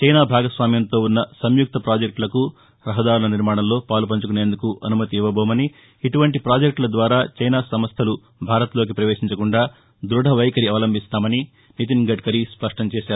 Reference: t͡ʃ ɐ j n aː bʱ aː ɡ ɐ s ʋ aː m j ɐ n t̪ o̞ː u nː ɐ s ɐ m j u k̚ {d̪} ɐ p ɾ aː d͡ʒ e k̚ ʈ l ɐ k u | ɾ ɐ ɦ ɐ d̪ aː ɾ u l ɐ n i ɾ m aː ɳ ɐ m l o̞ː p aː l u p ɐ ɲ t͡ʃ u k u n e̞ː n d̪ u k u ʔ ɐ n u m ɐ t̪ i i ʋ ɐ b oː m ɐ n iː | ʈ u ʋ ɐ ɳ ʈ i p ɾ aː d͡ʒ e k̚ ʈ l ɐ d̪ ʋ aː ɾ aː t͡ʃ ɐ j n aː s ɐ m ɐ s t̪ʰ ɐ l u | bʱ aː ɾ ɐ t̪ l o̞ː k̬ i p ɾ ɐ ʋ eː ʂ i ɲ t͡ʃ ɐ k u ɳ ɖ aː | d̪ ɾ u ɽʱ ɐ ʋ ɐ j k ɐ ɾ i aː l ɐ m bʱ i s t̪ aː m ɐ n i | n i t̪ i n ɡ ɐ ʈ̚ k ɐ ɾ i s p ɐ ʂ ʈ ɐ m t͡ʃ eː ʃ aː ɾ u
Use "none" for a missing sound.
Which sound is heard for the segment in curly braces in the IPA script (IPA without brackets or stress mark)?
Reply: t̪